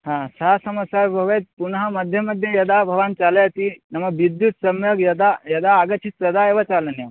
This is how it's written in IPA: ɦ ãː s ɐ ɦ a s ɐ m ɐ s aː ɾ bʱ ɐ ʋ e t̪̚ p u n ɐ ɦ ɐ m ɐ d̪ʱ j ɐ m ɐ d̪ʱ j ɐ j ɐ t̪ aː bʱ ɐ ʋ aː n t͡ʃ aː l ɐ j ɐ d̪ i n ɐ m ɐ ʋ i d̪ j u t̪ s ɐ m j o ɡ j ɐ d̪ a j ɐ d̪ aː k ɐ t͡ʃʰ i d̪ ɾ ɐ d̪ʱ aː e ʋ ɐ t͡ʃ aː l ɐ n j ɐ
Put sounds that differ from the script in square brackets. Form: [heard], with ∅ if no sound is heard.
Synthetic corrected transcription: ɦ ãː s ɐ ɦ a s ɐ m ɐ s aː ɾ bʱ ɐ ʋ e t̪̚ p u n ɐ ɦ ɐ m ɐ d̪ʱ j ɐ m ɐ d̪ʱ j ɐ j ɐ [d̪] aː bʱ ɐ ʋ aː n t͡ʃ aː l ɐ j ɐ [t̪] i n ɐ m ɐ ʋ i d̪ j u t̪ s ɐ m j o ɡ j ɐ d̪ a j ɐ d̪ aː [ɡ] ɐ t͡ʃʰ i [t̪] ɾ ɐ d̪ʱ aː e ʋ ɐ t͡ʃ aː l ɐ n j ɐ